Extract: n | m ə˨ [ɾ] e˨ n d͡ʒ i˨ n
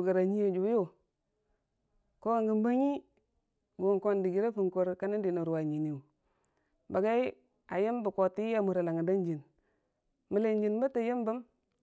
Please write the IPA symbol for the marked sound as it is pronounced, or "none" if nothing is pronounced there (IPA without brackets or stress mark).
l